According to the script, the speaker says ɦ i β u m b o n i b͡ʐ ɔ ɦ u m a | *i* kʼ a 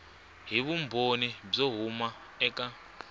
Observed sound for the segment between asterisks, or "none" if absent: ɛ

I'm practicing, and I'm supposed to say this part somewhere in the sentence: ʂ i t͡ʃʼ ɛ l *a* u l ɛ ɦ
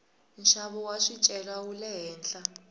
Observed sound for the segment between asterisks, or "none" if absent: a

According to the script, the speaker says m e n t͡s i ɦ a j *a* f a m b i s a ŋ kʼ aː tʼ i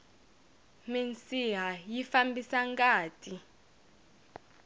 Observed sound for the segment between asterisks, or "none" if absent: i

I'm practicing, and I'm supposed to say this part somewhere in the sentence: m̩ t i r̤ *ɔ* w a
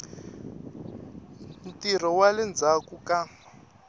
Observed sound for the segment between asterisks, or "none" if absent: ɔ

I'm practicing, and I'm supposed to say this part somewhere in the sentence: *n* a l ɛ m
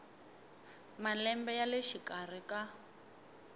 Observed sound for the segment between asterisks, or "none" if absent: m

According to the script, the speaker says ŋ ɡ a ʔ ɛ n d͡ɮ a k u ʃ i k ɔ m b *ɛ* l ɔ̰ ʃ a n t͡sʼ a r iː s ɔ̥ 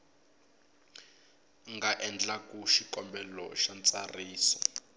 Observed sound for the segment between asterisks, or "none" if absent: ɛ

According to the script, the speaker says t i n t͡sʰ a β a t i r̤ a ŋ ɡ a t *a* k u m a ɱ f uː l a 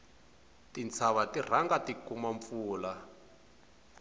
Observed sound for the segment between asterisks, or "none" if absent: i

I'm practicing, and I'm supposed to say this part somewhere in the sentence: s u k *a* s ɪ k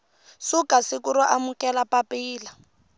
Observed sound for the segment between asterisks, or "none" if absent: a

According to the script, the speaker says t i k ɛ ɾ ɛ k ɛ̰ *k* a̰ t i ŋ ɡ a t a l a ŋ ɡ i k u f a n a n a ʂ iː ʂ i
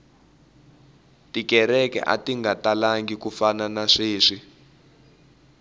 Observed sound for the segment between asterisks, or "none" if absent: ʔ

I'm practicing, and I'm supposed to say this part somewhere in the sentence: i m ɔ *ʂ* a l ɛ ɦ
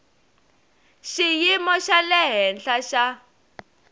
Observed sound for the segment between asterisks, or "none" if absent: ʃ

